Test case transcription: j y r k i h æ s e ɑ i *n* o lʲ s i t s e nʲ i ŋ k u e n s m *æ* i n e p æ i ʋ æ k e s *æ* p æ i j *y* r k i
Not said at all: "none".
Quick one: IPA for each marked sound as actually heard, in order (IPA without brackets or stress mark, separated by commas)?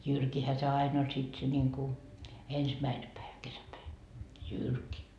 n, æ, æ, y